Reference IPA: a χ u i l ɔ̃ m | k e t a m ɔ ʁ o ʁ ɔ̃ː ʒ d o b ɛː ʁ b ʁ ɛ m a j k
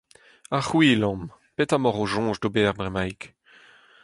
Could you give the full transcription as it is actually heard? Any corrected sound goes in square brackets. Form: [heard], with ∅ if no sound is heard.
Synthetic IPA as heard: a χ [w] i l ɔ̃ m | [p] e t a m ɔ ʁ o [ʒ] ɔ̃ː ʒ d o b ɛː ʁ b ʁ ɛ m a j k